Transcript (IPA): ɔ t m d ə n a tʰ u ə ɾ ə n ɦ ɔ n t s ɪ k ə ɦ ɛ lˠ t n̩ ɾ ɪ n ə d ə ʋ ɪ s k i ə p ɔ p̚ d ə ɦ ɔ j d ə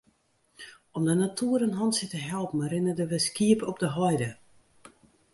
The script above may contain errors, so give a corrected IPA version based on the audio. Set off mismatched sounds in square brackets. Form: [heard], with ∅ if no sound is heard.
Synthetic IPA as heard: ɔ [∅] m d ə n a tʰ u ə ɾ ə n ɦ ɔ n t s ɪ [t] ə ɦ ɛ lˠ [p] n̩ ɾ ɪ n ə d ə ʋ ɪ s k i ə p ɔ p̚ d ə ɦ ɔ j d ə